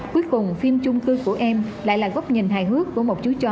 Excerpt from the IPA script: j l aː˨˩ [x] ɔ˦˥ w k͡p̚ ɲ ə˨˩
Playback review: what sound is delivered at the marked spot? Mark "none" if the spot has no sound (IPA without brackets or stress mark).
ɣ